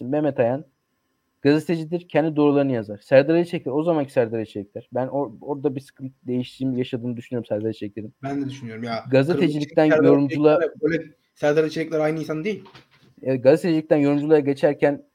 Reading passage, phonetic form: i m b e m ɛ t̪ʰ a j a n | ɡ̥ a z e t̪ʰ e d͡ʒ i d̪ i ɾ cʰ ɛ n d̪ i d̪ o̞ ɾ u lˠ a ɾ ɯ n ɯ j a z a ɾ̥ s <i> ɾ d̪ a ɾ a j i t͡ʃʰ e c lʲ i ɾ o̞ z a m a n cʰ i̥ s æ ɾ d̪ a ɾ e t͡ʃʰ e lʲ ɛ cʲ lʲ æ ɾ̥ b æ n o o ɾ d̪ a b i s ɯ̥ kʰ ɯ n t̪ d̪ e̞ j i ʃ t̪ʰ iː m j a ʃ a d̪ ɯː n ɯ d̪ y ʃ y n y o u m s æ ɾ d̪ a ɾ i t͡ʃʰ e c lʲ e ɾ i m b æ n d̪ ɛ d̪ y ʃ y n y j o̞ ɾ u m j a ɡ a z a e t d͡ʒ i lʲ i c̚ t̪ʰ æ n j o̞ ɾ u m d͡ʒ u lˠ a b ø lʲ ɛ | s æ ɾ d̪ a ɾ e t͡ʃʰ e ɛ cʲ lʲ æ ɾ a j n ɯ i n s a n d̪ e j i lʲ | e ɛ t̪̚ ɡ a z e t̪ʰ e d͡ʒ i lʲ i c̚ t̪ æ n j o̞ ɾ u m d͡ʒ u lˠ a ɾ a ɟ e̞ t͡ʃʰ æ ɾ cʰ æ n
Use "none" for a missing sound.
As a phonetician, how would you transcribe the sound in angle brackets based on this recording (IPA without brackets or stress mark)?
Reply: æ